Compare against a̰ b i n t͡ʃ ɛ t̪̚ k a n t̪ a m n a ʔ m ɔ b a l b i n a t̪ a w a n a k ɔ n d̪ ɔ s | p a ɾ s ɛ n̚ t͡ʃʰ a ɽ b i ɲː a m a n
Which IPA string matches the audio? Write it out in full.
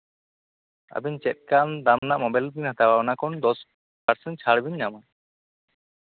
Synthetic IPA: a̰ b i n t͡ʃ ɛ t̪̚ k a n d̪ a m n a ʔ m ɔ b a l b i n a t̪ a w a n a k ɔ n d̪ ɔ s | p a ɾ s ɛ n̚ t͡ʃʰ a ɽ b i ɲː a m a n